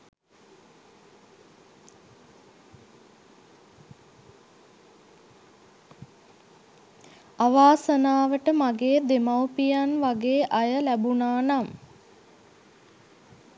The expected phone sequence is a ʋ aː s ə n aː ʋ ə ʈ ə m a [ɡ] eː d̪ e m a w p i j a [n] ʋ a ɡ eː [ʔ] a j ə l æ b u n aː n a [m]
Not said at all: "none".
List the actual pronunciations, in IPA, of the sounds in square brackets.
ɡ, n, ʔ, m

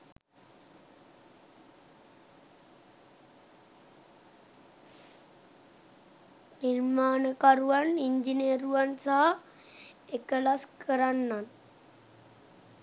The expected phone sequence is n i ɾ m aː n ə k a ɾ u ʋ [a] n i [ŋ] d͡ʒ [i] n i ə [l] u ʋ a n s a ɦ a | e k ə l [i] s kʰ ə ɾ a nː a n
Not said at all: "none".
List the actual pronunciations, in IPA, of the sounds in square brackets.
a, ɲ, i, ɾ, a

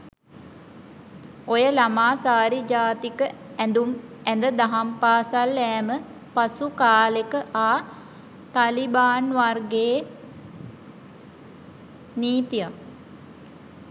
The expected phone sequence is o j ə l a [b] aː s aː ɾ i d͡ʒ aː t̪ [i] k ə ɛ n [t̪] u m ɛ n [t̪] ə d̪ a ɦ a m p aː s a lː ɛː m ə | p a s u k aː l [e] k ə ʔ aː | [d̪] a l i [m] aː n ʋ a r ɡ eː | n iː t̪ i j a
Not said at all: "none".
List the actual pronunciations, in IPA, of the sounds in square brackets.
m, i, d̪, d̪, e, t̪, b

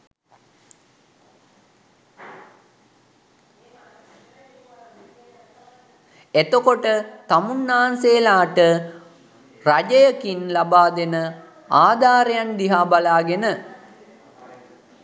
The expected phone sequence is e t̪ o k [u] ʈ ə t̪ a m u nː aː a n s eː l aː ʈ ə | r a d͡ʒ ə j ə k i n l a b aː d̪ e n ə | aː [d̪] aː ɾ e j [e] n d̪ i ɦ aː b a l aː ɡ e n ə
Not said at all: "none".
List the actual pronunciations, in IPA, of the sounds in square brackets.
o, d̪, a

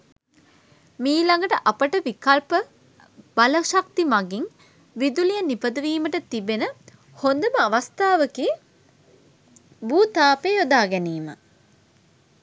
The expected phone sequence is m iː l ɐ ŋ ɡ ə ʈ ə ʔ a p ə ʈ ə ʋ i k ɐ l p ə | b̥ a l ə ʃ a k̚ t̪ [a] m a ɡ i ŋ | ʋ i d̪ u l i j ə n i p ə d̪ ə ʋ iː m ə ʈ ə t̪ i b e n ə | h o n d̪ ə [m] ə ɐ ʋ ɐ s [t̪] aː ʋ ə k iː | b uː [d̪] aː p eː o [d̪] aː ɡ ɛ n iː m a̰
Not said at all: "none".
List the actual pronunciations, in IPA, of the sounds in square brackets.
i, m, t̪, t̪, d̪

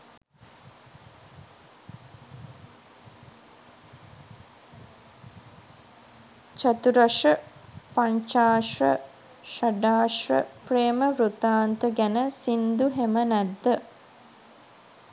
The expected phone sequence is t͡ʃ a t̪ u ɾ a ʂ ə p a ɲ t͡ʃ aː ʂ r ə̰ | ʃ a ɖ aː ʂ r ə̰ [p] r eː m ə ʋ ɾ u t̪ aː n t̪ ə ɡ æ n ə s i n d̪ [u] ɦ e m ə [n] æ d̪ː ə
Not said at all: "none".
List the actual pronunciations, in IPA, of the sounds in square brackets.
p, u, n

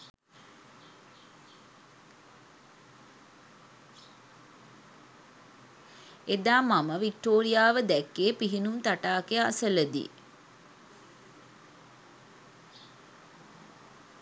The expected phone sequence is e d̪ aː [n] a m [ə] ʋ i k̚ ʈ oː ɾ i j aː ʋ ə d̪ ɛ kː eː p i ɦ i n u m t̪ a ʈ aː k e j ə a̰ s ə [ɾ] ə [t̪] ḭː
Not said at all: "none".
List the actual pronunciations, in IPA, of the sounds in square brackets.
m, ə, l, d̪

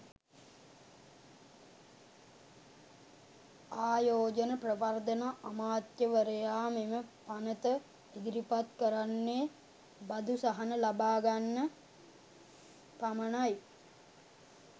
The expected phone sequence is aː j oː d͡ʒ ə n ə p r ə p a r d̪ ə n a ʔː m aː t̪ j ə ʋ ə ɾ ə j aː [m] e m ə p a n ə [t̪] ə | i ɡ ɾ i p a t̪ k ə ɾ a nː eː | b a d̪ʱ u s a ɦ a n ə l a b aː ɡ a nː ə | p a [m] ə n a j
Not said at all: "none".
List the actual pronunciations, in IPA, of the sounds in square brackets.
m, t̪, m

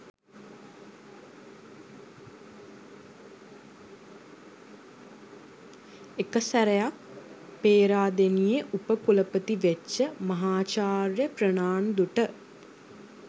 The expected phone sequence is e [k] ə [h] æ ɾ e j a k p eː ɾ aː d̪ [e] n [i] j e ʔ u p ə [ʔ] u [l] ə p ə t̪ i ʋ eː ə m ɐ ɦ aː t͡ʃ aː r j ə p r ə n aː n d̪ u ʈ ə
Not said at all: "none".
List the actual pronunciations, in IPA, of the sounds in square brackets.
k, s, e, i, k, l

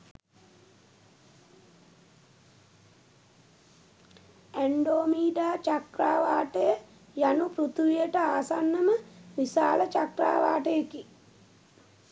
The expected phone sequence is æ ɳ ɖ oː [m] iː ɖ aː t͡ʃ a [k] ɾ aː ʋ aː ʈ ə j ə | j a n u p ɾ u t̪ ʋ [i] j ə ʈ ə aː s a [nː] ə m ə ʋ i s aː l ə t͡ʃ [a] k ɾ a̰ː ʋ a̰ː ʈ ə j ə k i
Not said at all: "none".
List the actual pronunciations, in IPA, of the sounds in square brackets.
m, k, i, nː, a

